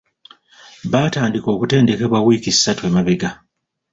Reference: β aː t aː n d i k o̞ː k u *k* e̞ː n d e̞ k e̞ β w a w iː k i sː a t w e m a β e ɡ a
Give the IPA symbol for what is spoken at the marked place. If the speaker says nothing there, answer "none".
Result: t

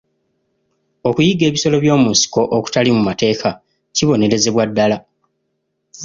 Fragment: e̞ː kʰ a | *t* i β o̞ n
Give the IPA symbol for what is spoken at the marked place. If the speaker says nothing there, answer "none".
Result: c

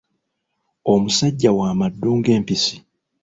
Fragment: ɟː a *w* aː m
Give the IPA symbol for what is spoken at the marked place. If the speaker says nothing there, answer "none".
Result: w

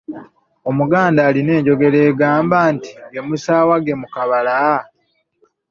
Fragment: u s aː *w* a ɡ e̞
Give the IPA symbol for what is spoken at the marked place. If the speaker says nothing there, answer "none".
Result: w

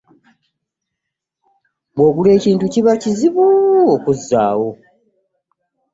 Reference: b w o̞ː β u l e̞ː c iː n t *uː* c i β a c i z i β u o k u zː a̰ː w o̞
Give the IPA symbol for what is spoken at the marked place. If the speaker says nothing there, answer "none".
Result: u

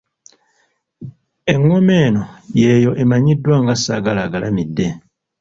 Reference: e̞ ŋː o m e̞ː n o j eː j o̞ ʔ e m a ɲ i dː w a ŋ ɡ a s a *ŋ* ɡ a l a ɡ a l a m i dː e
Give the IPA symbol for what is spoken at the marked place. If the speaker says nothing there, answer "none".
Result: none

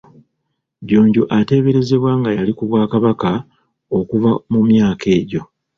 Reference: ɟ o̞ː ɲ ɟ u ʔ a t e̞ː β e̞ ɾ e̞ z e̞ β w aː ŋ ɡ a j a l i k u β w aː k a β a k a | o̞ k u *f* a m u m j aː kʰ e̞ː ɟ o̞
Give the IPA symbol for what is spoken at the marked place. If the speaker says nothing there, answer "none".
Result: v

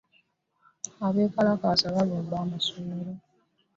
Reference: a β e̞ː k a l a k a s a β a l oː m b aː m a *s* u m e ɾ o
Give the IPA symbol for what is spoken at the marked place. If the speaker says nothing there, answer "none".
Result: s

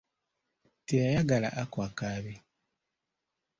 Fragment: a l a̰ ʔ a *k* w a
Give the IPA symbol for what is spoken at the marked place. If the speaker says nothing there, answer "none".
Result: k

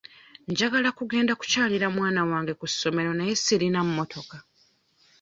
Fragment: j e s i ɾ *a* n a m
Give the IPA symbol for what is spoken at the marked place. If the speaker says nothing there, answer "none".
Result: i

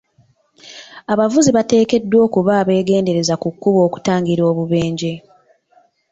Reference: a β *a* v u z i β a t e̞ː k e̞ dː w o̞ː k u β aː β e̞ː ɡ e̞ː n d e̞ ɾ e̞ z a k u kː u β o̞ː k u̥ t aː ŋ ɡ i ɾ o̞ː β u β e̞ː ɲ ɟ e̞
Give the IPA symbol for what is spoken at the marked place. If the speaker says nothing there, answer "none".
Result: a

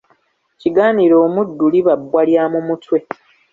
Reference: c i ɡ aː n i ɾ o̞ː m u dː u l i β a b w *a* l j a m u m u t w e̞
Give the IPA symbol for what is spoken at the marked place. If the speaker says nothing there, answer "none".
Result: a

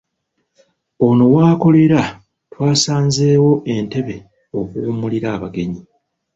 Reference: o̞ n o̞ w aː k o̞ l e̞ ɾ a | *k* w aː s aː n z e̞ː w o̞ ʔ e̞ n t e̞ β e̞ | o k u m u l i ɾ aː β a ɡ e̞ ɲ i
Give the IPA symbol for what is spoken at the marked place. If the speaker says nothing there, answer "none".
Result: t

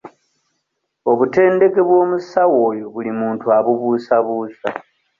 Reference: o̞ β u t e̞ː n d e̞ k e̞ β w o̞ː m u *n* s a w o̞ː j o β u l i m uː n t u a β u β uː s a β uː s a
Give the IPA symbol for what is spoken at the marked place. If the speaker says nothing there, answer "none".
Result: none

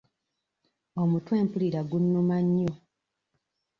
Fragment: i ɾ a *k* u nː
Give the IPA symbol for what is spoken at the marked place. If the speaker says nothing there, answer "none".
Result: ɡ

